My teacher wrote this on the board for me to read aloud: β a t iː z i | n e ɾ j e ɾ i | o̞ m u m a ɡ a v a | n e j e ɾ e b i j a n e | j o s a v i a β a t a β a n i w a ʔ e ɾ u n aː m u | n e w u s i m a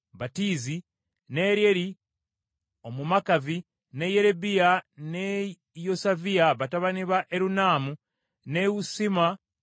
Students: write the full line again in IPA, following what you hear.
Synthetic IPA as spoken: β a t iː z i | n e ɾ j e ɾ i | o̞ m u m a k a v i | n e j e ɾ e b i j a n e | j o s a v i a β a t a β a n i β a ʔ e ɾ u n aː m u | n e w u s i m a